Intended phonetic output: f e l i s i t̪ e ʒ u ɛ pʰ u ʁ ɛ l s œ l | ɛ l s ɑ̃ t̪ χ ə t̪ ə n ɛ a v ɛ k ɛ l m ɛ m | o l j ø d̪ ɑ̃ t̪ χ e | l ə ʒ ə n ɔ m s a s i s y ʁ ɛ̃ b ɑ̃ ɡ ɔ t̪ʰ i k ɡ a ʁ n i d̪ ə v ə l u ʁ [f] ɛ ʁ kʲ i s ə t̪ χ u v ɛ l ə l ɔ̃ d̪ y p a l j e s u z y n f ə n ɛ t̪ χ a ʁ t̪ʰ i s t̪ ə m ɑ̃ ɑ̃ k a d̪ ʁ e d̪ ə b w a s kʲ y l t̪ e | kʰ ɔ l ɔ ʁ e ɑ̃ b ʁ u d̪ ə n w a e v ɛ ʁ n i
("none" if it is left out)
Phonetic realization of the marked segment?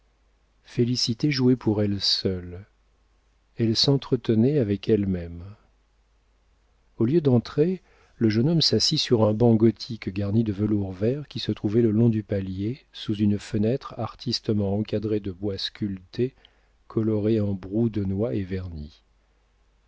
v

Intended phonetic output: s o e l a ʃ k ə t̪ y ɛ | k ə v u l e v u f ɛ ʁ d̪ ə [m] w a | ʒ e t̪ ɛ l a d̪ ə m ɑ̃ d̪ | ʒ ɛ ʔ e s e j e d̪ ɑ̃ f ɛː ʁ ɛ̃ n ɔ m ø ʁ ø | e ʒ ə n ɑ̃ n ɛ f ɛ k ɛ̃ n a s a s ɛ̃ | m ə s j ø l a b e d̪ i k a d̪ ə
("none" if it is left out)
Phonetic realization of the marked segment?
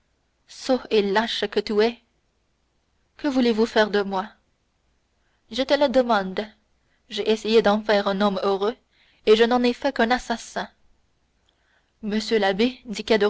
m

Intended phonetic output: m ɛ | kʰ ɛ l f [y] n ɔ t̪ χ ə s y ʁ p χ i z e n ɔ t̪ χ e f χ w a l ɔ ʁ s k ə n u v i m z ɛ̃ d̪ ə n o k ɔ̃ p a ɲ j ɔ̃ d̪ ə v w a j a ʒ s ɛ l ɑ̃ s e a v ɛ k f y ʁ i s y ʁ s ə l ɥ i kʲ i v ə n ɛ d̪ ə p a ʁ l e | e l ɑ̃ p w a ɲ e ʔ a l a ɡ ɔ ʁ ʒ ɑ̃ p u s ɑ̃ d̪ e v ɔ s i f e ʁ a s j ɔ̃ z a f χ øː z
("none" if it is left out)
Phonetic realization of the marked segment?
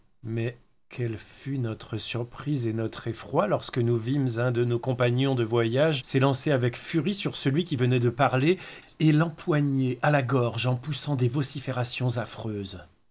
y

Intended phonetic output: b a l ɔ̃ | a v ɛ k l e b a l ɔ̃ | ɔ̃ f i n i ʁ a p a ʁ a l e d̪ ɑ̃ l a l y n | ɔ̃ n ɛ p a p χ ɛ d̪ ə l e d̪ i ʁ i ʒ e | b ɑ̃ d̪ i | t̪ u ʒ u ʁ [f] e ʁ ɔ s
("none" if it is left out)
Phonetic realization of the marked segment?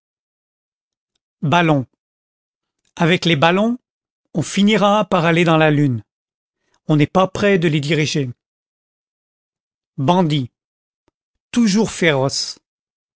f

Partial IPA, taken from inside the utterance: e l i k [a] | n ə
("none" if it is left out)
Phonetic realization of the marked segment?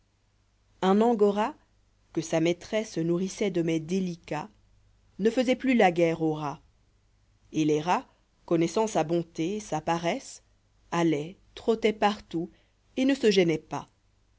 a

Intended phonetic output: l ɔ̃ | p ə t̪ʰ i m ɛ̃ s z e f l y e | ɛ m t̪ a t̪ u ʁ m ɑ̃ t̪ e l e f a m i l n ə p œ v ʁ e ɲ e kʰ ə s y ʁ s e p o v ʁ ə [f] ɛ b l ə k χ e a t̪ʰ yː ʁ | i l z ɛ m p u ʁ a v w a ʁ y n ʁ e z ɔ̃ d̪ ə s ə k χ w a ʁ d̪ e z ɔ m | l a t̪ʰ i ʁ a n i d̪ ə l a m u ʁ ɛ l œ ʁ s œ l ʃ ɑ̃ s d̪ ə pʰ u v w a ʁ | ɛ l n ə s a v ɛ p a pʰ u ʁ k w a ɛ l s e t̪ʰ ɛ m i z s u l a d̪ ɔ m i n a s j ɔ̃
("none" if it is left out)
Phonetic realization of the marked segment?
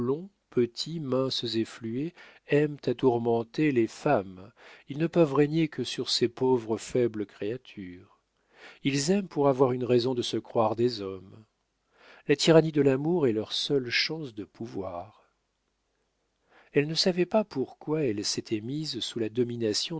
f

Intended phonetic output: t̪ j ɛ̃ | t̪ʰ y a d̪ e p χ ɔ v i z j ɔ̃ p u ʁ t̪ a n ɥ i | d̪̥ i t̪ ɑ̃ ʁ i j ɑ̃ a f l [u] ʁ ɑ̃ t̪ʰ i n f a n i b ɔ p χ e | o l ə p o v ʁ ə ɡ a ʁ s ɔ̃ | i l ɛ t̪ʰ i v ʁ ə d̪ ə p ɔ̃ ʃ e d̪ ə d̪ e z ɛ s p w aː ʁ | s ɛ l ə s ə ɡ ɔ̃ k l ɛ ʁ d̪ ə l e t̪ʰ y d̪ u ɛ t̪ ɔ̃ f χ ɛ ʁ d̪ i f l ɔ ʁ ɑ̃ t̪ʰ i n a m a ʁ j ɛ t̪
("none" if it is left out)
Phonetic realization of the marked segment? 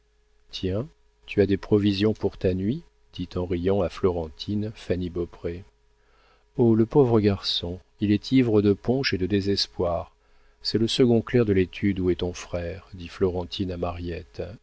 ɔ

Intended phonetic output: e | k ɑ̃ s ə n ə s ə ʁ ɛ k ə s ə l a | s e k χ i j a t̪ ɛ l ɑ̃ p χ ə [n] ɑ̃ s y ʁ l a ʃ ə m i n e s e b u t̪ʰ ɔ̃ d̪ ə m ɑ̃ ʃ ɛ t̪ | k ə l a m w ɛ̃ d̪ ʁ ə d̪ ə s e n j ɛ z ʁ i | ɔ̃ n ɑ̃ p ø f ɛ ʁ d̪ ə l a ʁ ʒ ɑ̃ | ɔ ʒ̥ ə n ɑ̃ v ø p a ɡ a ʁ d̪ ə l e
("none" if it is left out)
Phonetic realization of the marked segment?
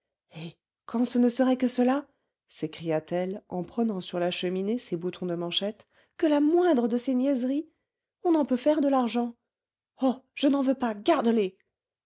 n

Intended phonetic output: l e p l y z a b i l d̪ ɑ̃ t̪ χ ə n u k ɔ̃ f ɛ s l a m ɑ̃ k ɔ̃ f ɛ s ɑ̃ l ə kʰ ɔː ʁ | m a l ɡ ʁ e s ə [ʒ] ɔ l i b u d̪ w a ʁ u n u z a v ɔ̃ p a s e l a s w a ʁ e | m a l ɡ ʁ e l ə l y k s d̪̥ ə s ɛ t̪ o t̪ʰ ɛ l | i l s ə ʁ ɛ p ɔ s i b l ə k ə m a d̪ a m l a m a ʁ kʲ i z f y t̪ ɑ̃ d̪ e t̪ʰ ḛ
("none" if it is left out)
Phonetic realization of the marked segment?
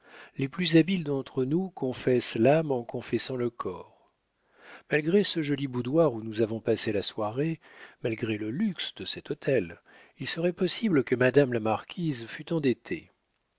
ʒ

